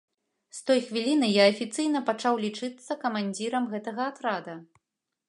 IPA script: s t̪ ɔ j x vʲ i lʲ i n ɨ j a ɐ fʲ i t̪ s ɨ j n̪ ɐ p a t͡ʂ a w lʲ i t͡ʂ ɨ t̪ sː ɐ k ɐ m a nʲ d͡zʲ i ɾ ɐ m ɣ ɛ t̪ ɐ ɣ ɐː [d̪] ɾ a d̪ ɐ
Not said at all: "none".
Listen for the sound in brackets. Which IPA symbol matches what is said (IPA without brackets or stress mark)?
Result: t̪